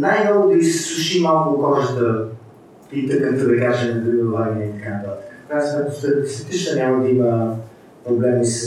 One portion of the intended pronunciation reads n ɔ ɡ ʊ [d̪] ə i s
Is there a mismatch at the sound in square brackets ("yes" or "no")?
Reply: no